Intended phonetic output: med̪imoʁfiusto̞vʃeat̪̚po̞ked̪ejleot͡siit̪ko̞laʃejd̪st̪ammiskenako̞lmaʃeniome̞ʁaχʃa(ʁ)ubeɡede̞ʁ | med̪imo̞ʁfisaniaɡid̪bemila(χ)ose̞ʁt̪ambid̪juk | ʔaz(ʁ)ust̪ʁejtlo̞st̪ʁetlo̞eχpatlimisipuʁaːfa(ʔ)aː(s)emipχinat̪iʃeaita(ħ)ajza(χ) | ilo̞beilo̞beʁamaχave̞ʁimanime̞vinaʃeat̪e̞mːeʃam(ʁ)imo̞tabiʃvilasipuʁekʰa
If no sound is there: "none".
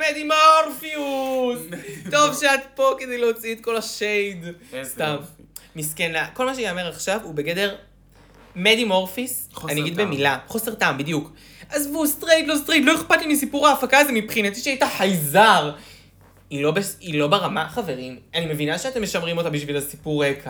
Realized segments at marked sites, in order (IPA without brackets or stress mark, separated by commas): v, χ, v, k, z, ħ, ʁ, ʁ